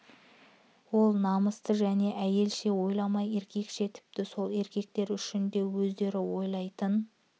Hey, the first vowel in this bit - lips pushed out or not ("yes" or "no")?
yes